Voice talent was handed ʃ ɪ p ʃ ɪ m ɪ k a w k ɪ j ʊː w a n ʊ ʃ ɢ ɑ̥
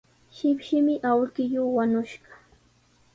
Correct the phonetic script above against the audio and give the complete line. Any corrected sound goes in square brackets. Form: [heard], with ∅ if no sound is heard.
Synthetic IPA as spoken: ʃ ɪ p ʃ ɪ m ɪ [ʔ] a w k ɪ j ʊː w a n ʊ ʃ ɢ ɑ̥